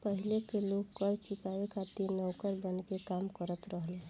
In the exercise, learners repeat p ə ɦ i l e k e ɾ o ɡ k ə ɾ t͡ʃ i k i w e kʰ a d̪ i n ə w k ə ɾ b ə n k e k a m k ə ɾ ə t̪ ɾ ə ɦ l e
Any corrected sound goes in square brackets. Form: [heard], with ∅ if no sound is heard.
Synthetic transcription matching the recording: p ə ɦ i l e k e [l] o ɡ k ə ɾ t͡ʃ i k [a] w e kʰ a [t̪] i n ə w k ə ɾ b ə n k e k a m k ə ɾ ə t̪ ɾ ə ɦ l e